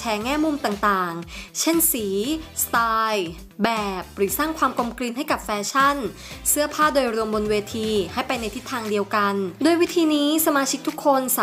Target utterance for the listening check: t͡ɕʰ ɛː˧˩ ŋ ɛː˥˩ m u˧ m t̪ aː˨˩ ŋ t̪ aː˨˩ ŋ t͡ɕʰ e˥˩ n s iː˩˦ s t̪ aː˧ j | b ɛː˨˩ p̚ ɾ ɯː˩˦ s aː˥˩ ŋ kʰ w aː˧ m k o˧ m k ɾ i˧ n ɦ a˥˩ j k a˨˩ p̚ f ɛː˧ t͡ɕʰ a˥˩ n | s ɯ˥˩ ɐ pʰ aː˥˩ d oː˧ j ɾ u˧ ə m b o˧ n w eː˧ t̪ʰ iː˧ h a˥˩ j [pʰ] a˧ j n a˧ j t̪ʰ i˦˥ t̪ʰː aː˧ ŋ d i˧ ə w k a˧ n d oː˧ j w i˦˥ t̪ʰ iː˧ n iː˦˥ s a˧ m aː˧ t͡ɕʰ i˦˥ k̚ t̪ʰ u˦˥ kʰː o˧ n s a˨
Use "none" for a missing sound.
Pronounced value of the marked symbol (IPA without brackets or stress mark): p